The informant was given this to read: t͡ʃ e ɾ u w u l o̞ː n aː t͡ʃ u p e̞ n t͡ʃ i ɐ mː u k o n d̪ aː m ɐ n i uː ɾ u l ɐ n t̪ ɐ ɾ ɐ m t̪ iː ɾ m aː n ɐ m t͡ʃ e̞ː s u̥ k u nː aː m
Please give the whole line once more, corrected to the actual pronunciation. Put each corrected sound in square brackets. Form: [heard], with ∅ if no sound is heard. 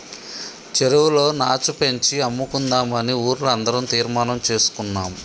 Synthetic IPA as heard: t͡ʃ e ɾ u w u l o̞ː n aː t͡ʃ u p e̞ [ɲ] t͡ʃ i ɐ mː u k [u] n d̪ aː m ɐ n i uː ɾ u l ɐ n [d̪] ɐ ɾ ɐ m t̪ iː ɾ m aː n ɐ m t͡ʃ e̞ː s u̥ k u nː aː m